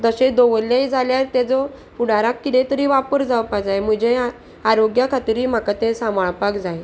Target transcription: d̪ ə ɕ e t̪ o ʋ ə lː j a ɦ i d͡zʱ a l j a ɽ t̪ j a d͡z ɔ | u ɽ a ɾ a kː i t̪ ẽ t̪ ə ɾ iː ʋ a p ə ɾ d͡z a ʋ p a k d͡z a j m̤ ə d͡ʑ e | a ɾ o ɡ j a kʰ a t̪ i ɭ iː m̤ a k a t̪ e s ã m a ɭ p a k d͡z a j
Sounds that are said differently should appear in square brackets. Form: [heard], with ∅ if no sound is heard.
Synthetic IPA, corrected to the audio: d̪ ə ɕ e [d̪] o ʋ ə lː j a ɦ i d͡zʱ a l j a [ɾ] t̪ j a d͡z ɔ | u ɽ a ɾ a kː i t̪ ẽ t̪ ə ɾ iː ʋ a p ə ɾ d͡z a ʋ p a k d͡z a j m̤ ə d͡ʑ e | a ɾ o ɡ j a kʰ a t̪ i [ɾ] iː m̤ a k a t̪ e s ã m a ɭ p a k d͡z a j